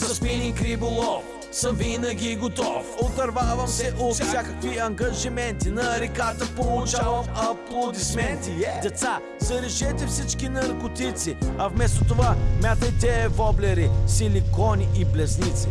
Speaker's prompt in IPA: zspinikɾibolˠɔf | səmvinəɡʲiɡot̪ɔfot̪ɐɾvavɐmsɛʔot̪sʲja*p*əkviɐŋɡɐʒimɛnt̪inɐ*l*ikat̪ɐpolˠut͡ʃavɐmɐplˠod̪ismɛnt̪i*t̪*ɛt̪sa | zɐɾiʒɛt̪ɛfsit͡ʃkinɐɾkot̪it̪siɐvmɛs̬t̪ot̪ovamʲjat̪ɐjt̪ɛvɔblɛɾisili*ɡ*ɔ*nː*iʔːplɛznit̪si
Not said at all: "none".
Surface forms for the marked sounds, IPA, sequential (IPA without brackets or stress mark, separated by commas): k, ɾ, d̪, k, n